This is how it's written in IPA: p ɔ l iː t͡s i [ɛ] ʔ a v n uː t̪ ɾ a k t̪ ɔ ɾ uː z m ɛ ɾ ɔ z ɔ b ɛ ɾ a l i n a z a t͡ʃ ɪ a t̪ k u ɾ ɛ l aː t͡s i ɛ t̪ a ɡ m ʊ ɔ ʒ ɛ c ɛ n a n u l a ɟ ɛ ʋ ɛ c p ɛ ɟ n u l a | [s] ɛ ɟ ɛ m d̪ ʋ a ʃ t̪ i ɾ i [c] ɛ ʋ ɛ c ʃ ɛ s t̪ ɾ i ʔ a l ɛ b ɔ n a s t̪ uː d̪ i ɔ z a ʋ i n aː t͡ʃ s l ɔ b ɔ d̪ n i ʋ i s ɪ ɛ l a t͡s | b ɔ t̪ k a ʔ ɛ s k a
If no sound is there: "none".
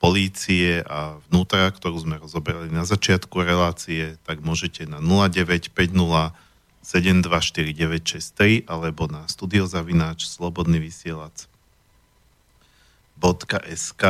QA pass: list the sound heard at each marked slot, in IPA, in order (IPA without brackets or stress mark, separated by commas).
ɛ, s, ɟ